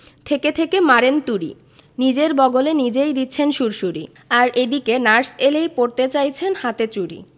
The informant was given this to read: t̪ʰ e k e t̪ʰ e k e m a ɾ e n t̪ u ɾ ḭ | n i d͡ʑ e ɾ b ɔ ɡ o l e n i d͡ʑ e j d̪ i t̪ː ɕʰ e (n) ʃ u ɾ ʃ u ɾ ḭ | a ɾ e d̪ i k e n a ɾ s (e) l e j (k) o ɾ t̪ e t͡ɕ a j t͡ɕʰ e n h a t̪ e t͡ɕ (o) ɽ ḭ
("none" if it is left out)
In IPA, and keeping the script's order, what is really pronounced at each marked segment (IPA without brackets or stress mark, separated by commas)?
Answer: n, e, p, u